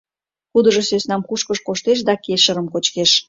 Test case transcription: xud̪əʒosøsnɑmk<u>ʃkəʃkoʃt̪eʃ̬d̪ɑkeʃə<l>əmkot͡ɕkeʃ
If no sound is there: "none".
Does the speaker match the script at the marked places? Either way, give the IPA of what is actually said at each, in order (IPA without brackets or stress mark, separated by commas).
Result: u, ɾ